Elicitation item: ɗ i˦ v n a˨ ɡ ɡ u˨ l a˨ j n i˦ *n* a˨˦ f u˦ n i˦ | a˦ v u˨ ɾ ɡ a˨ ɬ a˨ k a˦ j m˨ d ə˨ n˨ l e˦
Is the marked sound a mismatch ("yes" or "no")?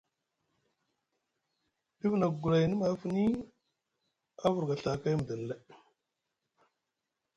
yes